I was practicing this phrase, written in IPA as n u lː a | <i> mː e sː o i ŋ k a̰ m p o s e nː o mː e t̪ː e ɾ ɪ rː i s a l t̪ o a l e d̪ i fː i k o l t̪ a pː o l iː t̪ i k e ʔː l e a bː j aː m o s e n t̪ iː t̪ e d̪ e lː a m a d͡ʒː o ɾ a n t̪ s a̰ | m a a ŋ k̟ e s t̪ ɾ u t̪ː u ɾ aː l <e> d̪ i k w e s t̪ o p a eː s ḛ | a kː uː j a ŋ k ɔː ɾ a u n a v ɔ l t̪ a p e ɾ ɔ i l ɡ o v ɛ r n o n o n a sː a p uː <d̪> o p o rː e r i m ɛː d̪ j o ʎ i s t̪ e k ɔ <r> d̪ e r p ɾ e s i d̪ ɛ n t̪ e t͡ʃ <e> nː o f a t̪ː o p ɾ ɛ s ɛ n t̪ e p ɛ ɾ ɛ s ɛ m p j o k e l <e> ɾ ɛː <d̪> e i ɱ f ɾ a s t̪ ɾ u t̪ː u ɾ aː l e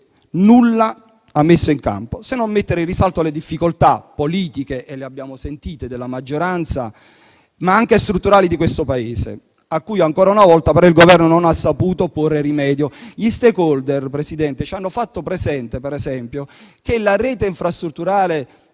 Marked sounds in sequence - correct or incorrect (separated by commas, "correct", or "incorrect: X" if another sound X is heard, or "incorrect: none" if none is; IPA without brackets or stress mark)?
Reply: incorrect: a, incorrect: i, incorrect: t̪, incorrect: l, incorrect: a, incorrect: a, incorrect: t̪